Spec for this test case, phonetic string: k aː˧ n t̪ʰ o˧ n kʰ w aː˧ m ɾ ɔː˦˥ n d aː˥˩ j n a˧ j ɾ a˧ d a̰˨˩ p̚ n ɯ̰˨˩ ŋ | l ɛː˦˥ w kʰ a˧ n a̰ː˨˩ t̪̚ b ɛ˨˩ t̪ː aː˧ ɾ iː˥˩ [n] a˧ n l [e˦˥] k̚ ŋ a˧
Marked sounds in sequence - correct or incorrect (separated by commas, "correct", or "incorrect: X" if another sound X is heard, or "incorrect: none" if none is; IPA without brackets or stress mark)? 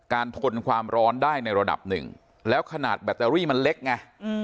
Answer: incorrect: m, correct